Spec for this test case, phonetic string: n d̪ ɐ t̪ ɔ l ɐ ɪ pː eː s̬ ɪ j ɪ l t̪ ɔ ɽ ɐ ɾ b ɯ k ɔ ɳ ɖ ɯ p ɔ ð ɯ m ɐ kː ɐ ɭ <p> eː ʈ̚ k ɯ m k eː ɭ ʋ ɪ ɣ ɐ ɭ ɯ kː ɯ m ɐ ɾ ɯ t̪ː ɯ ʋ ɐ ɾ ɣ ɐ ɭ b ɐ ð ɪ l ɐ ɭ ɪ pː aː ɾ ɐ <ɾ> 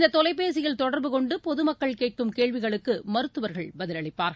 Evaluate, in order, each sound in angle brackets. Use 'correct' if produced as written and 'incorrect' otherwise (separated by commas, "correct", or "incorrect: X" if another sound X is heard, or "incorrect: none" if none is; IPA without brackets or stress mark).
incorrect: k, incorrect: none